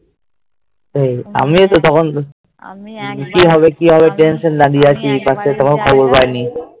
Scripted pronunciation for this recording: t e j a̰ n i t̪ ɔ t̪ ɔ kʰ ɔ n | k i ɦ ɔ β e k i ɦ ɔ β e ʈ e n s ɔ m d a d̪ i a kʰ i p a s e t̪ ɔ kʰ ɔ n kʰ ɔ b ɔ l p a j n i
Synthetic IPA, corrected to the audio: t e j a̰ m i t̪ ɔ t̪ ɔ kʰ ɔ n | k i ɦ ɔ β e k i ɦ ɔ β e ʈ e n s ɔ n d a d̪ i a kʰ i p a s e t̪ ɔ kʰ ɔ n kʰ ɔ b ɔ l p a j n i